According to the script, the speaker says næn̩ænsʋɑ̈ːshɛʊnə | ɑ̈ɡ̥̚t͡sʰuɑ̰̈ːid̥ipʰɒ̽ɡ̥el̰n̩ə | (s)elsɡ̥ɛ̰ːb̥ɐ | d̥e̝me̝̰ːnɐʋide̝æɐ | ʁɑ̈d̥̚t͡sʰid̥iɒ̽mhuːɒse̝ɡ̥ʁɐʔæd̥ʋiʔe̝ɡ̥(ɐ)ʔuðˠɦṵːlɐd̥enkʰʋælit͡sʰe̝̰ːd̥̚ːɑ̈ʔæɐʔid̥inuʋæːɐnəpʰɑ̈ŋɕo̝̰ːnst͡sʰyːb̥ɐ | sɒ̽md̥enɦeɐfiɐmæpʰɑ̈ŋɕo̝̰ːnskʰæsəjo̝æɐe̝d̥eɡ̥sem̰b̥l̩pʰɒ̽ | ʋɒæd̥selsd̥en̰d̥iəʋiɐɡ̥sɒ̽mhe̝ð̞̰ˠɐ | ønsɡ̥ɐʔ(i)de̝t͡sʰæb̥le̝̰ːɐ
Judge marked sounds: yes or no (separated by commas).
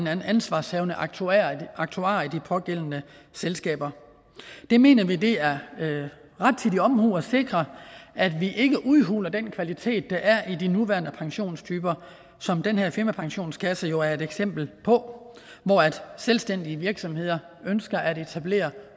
yes, no, no